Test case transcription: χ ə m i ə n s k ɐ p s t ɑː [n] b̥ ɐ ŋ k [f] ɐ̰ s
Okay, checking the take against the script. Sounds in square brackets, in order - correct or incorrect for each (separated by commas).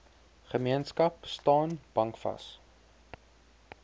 correct, correct